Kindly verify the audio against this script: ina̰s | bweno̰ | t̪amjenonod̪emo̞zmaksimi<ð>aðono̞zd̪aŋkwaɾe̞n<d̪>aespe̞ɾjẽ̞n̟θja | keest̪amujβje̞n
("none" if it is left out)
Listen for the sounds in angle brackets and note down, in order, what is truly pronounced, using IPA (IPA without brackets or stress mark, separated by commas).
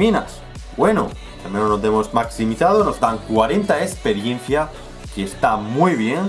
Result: θ, t̪